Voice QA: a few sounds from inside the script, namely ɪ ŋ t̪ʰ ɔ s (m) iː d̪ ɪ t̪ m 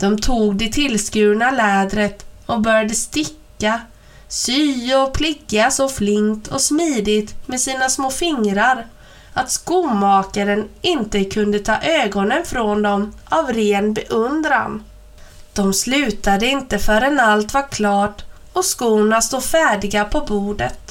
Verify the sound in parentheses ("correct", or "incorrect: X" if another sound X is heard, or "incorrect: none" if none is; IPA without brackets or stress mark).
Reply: correct